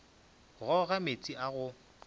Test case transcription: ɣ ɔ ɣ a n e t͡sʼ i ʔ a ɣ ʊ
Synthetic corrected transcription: ɣ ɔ ɣ a m e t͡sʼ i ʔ a ɣ ʊ

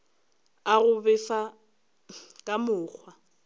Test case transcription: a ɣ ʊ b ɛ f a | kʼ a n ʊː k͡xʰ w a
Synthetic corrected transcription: a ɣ ʊ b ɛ f a | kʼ a m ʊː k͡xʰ w a

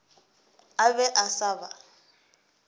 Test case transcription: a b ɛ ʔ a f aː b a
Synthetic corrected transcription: a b ɛ ʔ a s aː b a

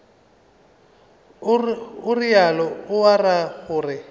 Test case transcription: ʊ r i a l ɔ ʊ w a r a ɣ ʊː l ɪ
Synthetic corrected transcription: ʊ r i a l ɔ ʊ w a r a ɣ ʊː r ɪ

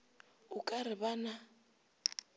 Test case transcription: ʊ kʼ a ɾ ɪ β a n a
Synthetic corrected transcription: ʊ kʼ a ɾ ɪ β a n a

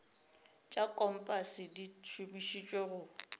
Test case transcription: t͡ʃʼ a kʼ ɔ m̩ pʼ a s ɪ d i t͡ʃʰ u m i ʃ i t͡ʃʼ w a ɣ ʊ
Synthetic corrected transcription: t͡ʃʼ a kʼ ɔ m̩ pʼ a s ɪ d i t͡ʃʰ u m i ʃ i t͡ʃʼ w e ɣ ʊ

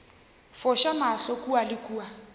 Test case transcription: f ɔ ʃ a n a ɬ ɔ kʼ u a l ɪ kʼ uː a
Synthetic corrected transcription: f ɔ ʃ a m a ɬ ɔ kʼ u a l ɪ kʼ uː a

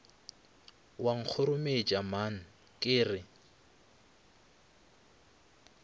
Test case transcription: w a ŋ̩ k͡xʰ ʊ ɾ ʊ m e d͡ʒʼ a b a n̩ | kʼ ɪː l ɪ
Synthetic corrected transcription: w a ŋ̩ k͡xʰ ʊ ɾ ʊ m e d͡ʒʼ a m a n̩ | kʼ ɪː r ɪ

